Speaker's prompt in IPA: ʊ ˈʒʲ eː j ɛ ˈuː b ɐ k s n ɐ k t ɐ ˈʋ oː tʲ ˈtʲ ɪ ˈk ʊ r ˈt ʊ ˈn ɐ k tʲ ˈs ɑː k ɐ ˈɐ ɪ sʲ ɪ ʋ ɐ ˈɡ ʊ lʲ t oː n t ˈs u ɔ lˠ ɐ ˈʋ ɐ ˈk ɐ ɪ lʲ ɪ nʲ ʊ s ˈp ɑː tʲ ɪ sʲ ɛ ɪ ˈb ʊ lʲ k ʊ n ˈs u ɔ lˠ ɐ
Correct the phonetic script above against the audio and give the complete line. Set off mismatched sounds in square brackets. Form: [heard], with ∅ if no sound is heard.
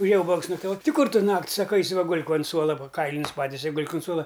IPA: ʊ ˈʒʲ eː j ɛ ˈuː b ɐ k s n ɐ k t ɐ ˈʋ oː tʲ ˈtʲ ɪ ˈk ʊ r ˈt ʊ ˈn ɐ k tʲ ˈs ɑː k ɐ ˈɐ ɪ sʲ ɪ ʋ ɐ ˈɡ ʊ lʲ [k] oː n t ˈs u ɔ lˠ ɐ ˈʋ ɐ ˈk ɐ ɪ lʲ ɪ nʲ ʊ s ˈp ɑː tʲ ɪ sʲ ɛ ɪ [ˈɡ] ʊ lʲ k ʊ n ˈs u ɔ lˠ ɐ